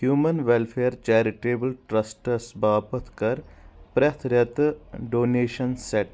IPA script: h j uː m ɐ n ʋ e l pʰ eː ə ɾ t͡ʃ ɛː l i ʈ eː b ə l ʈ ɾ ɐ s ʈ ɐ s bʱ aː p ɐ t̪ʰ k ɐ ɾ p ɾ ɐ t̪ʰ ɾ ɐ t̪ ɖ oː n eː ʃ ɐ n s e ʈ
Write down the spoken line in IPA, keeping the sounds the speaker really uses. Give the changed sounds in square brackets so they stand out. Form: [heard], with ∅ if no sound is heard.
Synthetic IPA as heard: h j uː m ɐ n ʋ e l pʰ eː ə ɾ t͡ʃ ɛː [ɾ] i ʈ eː b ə l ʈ ɾ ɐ s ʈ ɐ s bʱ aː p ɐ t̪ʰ k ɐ ɾ p ɾ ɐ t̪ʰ ɾ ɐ t̪ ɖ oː n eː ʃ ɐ n s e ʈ

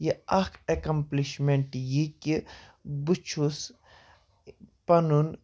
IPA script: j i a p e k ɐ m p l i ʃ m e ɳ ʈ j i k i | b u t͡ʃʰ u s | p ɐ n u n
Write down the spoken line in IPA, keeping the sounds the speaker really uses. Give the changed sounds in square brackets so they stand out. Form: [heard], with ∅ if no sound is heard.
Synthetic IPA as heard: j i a [k] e k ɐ m p l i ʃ m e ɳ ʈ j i k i | b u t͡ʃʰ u s | p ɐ n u n

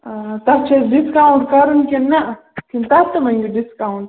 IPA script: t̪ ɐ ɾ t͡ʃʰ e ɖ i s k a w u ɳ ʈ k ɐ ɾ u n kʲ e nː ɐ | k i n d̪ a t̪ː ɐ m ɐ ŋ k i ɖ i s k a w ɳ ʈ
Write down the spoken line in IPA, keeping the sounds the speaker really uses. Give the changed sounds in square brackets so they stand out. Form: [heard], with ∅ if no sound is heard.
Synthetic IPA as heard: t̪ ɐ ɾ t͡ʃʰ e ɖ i s k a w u ɳ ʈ k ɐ ɾ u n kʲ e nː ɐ | k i n [t̪] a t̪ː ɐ m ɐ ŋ [ɡ] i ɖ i s k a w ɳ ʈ

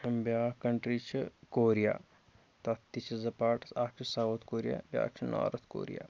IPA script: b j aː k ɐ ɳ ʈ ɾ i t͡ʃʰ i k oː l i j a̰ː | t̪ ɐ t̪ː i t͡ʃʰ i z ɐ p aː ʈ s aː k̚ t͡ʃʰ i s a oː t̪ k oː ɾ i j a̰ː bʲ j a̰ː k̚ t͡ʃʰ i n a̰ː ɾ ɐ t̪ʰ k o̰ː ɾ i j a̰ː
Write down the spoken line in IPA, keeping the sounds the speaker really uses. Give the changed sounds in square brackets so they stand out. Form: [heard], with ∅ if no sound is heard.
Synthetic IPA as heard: b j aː k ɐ ɳ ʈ ɾ i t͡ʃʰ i k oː [ɾ] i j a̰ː | t̪ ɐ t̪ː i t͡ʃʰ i z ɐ p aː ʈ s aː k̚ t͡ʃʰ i s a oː t̪ k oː ɾ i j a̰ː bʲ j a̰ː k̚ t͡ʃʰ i n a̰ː ɾ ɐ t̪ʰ k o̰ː ɾ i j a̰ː

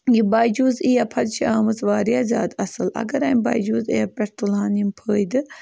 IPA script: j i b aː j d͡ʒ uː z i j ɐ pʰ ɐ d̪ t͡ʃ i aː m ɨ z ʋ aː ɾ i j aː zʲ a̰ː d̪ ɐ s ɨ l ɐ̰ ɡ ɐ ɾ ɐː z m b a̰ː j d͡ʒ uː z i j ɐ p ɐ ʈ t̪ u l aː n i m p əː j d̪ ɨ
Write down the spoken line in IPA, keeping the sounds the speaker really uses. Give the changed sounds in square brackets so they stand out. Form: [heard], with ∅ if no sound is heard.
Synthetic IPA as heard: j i b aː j d͡ʒ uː z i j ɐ pʰ ɐ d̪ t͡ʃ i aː m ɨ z ʋ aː ɾ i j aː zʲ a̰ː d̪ ɐ s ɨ l ɐ̰ ɡ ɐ ɾ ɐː [∅] m b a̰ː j d͡ʒ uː z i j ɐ p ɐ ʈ t̪ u l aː n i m [pʰ] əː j d̪ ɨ

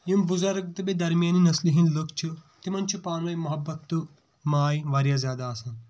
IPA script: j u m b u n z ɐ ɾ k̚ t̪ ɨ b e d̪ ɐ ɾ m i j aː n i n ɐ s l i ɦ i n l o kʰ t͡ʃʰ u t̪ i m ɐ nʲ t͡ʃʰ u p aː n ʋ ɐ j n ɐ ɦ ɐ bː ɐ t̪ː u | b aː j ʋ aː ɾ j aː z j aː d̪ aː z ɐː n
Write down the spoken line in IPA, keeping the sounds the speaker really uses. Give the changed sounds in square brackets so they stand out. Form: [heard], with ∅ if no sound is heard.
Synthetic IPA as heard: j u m b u [∅] z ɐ ɾ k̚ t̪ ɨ b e d̪ ɐ ɾ m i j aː n i n ɐ s l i ɦ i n l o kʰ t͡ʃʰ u t̪ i m ɐ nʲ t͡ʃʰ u p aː n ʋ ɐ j [m] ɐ ɦ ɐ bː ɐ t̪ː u | [m] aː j ʋ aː ɾ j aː z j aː d̪ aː [s] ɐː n

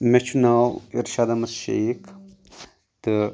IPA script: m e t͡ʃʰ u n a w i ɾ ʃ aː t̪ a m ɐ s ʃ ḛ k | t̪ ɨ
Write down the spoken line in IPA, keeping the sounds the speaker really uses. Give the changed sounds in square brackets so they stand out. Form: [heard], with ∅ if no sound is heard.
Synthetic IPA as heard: m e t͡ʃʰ u n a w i ɾ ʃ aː [d̪] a m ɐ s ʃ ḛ k | t̪ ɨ

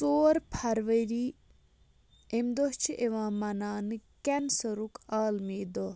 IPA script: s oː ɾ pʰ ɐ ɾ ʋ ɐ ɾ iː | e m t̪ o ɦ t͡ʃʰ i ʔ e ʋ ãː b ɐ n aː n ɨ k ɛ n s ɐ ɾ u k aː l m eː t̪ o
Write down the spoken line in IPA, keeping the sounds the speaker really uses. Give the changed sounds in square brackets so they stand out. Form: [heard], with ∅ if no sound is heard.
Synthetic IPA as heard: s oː ɾ pʰ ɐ ɾ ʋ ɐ ɾ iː | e m [d̪] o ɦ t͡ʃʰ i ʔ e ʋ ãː [m] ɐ n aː n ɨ k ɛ n s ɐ ɾ u k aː l m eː [d̪] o

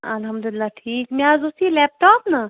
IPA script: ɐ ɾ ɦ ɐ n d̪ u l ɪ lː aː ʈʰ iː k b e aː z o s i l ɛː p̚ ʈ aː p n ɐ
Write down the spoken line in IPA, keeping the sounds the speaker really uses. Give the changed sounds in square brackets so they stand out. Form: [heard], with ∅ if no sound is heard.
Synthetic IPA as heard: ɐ [l] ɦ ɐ [m] d̪ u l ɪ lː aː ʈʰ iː k [m] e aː z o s i l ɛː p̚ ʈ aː p n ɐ

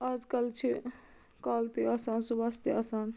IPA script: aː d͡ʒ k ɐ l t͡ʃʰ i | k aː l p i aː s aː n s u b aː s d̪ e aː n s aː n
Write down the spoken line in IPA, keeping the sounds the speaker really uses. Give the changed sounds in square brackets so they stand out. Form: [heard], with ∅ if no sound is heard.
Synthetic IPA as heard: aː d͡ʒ k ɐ l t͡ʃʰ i | k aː l p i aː s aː n s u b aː s [t̪] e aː [∅] s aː n

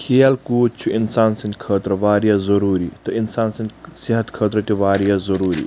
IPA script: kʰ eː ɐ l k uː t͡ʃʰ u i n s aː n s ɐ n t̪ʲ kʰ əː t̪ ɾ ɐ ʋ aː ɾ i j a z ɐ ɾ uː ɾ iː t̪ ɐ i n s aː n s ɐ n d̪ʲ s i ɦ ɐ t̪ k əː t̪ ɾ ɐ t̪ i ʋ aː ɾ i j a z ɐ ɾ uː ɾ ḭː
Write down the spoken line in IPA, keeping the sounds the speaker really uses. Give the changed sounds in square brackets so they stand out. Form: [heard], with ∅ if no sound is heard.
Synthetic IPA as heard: kʰ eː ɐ l k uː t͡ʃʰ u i n s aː n s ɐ n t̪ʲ kʰ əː t̪ ɾ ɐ ʋ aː ɾ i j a z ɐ ɾ uː ɾ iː t̪ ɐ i n s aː n s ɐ n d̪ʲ s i ɦ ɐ t̪ [kʰ] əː t̪ ɾ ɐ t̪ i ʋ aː ɾ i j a z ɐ ɾ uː ɾ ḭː

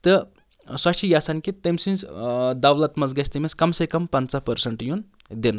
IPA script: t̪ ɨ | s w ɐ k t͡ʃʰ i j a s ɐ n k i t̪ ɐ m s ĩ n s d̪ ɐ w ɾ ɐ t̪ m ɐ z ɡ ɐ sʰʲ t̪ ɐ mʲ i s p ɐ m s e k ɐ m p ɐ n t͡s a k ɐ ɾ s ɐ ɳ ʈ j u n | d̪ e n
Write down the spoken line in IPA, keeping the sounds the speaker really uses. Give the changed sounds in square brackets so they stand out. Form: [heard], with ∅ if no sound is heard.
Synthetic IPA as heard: t̪ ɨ | s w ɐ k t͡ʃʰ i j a s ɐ n k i t̪ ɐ m s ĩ n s d̪ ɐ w [l] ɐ t̪ m ɐ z ɡ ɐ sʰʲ t̪ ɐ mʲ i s [k] ɐ m s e k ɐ m p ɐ n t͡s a [p] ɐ ɾ s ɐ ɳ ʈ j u n | d̪ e n

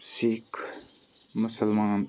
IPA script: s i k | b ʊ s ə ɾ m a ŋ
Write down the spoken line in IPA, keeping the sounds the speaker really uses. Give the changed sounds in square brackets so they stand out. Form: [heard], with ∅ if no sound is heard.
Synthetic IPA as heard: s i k | [m] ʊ s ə [l] m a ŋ

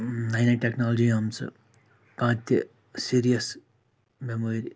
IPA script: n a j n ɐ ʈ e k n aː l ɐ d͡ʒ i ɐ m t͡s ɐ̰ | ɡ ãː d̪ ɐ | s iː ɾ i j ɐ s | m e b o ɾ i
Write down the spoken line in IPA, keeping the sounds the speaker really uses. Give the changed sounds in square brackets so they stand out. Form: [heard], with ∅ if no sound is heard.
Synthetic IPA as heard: n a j n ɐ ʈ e k n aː l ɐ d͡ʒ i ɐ m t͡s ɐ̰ | [k] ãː [t̪] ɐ | s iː ɾ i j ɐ s | m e [m] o ɾ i

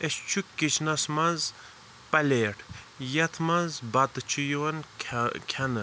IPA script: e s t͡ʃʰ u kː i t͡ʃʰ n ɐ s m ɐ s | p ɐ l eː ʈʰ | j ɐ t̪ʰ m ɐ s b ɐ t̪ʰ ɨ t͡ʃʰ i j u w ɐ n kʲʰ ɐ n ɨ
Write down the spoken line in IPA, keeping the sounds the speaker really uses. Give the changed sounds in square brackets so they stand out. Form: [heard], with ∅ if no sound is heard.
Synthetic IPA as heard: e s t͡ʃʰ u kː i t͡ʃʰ n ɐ s m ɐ [z] | p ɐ l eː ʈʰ | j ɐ t̪ʰ m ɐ [z] b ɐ [t̪] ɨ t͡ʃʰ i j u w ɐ n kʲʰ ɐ n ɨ

